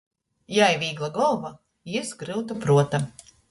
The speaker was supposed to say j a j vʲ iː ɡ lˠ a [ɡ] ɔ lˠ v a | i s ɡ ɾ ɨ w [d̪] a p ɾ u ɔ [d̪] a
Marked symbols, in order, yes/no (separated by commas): yes, no, no